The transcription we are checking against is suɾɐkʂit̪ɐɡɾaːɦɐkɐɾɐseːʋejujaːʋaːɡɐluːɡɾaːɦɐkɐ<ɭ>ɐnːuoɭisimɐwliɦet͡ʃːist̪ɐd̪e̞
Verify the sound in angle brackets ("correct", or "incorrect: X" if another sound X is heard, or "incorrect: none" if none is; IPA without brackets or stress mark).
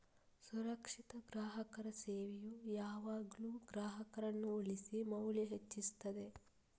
incorrect: ɾ